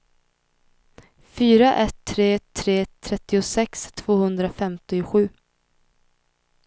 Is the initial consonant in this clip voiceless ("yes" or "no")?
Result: yes